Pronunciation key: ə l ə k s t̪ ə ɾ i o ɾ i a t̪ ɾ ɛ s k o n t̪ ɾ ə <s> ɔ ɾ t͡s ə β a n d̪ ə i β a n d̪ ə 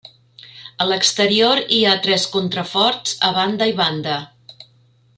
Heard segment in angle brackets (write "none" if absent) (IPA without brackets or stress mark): f